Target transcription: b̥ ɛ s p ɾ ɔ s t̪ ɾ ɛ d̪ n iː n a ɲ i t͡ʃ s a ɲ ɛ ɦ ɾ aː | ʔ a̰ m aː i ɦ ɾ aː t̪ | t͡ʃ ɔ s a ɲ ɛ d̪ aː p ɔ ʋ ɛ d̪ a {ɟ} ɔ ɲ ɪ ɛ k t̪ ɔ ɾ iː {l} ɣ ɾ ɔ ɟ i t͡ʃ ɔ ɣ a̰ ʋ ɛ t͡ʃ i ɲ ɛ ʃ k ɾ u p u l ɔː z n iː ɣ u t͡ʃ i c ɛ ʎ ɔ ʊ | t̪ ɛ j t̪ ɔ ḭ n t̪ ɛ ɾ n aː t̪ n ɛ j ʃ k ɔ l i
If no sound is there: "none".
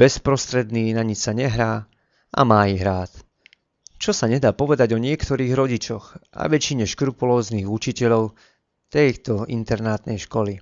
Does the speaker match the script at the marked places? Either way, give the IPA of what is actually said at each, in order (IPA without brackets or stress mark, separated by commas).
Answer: ɟ, none